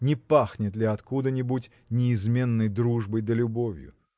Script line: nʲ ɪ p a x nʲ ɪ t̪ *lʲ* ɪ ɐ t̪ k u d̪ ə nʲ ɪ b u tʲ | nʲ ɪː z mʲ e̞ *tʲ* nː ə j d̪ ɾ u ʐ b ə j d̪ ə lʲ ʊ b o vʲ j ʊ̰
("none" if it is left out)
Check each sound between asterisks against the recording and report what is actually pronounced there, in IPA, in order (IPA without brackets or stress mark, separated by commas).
lʲ, none